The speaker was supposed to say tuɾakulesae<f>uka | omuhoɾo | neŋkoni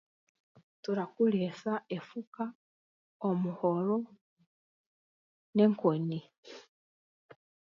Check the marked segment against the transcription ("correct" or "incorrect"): correct